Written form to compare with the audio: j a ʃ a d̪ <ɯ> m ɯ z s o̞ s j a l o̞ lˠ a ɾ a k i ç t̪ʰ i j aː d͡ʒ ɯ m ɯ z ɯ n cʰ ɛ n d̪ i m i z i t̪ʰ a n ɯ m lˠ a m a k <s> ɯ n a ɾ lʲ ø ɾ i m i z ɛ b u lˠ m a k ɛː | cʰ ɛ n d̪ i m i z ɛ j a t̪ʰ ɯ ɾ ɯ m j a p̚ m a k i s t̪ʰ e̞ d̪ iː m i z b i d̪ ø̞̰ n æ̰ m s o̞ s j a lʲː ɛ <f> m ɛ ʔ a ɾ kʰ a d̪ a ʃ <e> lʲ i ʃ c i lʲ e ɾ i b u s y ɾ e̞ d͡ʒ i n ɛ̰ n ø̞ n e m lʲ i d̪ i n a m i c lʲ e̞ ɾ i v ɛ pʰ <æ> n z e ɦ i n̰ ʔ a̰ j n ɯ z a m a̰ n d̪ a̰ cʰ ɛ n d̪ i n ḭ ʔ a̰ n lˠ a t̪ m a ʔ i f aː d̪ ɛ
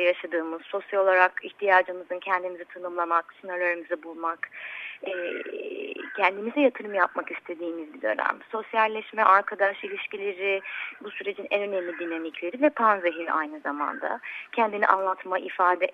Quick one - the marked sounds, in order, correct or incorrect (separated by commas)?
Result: incorrect, correct, incorrect, incorrect, incorrect